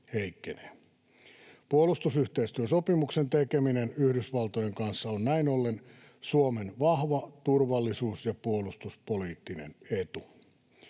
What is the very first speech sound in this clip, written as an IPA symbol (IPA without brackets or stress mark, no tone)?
h